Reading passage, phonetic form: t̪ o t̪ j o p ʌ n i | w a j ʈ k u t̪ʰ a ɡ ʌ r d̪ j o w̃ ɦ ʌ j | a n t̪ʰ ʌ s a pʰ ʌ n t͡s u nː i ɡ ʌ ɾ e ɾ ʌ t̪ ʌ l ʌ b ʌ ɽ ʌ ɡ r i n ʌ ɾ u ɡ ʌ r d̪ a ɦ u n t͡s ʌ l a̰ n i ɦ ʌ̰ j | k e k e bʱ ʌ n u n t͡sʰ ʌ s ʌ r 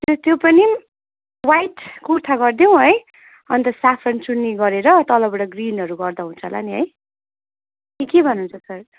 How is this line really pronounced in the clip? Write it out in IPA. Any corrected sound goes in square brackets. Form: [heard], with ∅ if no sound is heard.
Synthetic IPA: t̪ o t̪ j o p ʌ n i | w a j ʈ k u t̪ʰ a ɡ ʌ r d̪ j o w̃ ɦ ʌ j | [ʌ] n [t̪] ʌ s a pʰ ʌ n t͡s u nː i ɡ ʌ ɾ e ɾ ʌ t̪ ʌ l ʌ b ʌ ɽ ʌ ɡ r i n ʌ ɾ u ɡ ʌ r d̪ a ɦ u n [t͡sʰ] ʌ l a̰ n i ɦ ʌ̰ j | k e k e bʱ ʌ n u n t͡sʰ ʌ s ʌ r